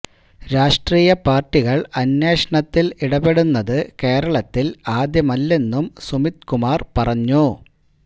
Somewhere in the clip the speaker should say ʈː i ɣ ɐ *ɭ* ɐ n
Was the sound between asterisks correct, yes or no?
yes